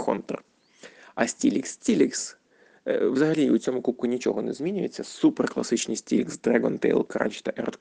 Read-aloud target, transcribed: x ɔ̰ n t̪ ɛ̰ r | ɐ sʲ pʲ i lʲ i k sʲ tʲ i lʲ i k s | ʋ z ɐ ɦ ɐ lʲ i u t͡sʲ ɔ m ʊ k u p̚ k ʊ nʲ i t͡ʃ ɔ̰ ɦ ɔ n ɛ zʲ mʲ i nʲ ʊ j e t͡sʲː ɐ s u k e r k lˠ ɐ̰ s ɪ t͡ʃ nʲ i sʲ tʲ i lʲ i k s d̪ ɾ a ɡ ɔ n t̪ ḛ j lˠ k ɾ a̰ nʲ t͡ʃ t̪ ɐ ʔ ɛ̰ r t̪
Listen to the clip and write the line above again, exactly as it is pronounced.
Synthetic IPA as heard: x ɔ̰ n t̪ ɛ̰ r | ɐ sʲ tʲ i lʲ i k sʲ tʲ i lʲ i k s | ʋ z ɐ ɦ ɐ lʲ i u t͡sʲ ɔ m ʊ k u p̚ k ʊ nʲ i t͡ʃ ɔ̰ ɦ ɔ n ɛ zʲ mʲ i nʲ ʊ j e t͡sʲː ɐ s u p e r k lˠ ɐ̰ s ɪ t͡ʃ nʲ i sʲ tʲ i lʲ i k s d̪ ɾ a ɡ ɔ n t̪ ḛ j lˠ k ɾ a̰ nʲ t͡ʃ t̪ ɐ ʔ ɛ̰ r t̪